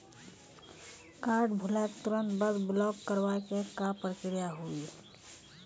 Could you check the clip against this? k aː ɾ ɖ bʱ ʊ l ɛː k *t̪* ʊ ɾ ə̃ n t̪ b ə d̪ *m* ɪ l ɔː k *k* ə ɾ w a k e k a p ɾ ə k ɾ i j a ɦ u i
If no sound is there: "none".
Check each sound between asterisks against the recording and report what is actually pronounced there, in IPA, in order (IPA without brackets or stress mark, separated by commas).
t̪, b, k